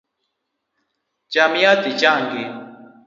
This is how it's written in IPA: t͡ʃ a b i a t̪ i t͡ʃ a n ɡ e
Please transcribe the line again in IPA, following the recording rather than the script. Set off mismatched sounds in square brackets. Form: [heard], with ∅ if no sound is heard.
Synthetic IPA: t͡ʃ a [m] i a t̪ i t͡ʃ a [ŋ] ɡ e